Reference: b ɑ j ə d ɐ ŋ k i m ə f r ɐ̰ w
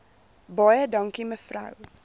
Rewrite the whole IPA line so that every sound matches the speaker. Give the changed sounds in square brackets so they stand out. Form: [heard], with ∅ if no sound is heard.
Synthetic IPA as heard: b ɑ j ə d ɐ ŋ k i m ə f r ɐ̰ w